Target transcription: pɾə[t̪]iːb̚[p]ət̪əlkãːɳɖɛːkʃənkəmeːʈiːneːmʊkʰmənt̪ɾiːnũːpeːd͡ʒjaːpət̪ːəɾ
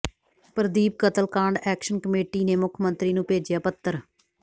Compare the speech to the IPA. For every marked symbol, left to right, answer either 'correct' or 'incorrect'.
incorrect: d̪, incorrect: k

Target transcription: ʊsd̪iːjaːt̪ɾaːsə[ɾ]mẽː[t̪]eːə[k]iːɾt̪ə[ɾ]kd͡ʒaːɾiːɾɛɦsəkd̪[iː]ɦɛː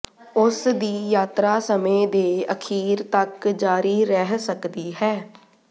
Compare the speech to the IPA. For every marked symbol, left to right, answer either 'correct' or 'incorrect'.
incorrect: none, incorrect: d̪, incorrect: kʰ, incorrect: none, correct

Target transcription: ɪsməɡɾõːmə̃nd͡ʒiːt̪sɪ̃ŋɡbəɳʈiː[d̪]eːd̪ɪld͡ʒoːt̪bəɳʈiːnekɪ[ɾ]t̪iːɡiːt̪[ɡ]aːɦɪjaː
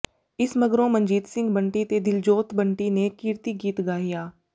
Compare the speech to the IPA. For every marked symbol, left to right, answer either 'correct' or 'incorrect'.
incorrect: t̪, correct, correct

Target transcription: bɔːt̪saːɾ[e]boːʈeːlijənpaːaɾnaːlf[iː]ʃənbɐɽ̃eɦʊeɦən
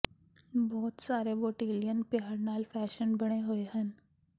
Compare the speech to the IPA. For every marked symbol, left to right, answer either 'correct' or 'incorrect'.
correct, incorrect: ɛː

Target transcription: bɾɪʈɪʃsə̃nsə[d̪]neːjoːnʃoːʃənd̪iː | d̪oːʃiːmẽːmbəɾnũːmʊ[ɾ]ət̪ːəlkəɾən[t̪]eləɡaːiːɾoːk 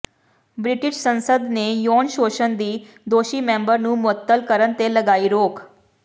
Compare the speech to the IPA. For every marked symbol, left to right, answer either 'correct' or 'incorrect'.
correct, incorrect: none, correct

